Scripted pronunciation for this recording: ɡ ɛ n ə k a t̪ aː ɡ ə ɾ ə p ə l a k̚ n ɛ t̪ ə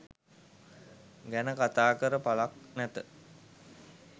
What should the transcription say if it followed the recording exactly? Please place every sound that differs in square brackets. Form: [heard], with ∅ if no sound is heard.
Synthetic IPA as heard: ɡ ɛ n ə k a t̪ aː [k] ə ɾ ə p [a] l a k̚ n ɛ t̪ ə